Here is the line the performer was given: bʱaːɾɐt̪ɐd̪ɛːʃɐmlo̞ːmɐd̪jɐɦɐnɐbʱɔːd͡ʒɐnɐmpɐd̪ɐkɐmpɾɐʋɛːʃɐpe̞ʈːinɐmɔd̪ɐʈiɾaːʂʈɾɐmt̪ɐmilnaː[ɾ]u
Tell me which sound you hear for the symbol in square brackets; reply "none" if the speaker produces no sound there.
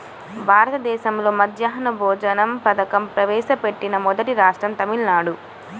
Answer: ɽ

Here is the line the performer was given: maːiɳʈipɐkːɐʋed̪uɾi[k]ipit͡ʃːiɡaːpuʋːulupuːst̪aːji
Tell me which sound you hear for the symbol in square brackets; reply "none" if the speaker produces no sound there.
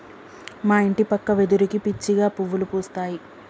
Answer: k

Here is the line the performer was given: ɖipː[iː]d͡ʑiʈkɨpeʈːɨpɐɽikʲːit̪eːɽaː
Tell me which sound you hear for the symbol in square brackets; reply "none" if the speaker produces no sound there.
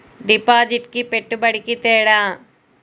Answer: aː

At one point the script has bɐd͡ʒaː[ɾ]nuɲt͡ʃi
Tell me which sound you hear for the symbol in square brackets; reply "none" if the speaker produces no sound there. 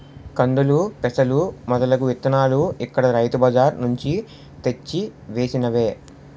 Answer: ɾ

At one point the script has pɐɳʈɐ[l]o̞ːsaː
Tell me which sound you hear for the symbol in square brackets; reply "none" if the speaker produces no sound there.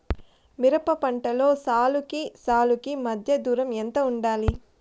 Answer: l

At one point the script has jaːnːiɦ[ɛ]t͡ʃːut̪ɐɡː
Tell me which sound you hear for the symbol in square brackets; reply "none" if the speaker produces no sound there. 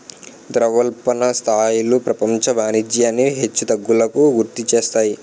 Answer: e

